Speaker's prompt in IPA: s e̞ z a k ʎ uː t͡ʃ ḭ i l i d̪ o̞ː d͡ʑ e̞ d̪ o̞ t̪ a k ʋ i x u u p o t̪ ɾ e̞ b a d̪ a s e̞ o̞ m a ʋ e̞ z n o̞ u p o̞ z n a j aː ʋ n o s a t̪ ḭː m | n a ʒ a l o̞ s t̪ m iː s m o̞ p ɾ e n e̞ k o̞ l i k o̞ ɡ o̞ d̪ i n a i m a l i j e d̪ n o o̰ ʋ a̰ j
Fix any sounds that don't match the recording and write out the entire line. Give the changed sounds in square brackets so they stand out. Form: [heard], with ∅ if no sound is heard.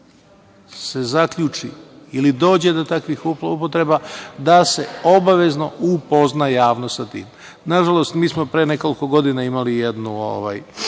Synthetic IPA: s e̞ z a k ʎ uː t͡ʃ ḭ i l i d̪ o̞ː d͡ʑ e̞ d̪ o̞ t̪ a k ʋ i x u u p o t̪ ɾ e̞ b a d̪ a s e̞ o̞ [b] a ʋ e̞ z n o̞ u p o̞ z n a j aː ʋ n o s a t̪ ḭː m | n a ʒ a l o̞ s t̪ m iː s m o̞ p ɾ e n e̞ k o̞ l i k o̞ ɡ o̞ d̪ i n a i m a l i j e d̪ n [u] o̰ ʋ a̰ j